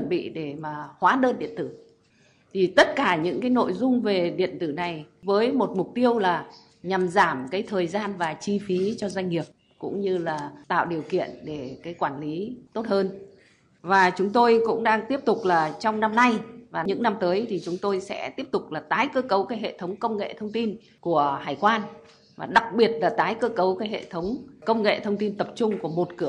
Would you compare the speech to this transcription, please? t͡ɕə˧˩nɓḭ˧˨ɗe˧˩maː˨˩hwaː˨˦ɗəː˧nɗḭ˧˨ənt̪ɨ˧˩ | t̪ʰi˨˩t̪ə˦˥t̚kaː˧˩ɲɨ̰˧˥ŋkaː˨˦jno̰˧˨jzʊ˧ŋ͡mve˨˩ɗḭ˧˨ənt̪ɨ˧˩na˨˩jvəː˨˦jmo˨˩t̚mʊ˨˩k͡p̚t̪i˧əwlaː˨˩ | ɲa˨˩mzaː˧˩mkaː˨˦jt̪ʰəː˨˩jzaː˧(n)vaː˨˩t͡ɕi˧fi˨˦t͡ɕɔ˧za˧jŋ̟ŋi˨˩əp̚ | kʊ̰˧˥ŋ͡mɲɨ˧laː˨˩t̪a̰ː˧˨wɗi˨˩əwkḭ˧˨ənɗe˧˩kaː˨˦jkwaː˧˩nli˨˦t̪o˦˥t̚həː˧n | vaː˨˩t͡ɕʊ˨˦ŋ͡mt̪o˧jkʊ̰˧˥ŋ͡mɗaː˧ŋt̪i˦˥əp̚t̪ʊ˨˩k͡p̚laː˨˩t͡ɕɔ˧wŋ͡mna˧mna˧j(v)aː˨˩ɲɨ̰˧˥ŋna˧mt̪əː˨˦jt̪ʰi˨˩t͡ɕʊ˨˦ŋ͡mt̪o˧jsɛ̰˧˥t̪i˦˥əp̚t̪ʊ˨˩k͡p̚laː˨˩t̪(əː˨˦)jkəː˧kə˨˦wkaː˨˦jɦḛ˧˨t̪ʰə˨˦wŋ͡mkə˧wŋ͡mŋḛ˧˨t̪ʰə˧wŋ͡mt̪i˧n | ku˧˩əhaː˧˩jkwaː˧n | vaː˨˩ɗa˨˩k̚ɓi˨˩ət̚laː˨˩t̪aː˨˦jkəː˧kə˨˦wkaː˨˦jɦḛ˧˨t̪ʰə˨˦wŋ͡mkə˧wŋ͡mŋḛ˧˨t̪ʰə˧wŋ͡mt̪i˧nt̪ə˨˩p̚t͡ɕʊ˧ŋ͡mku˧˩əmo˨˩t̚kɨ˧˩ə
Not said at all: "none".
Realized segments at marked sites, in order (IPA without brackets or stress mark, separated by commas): n, v, aː˨˦